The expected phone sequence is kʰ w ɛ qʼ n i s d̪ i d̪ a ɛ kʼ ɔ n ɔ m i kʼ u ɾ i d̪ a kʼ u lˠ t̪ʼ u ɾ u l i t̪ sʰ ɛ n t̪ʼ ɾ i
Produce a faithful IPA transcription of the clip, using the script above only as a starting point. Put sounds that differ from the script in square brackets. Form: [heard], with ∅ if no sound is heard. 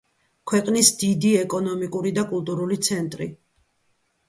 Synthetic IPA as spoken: kʰ w ɛ qʼ n i s d̪ i d̪ [i] ɛ kʼ ɔ n ɔ m i kʼ u ɾ i d̪ a kʼ u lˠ t̪ʼ u ɾ u l i t̪ sʰ ɛ n t̪ʼ ɾ i